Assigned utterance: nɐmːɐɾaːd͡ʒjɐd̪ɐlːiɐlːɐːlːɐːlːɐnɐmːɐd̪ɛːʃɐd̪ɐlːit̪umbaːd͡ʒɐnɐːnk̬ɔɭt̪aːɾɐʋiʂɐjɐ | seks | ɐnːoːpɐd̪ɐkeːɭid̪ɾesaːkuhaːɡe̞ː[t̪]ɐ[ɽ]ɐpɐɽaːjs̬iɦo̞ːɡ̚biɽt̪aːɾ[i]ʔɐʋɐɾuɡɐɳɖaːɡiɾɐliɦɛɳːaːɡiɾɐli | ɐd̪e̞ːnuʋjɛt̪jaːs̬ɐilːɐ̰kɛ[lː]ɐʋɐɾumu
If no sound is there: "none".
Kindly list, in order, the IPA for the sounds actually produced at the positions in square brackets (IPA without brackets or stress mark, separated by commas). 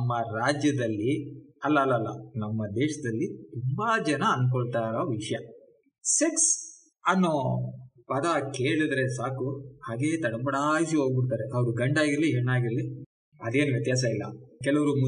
t̪, ɽ, e, l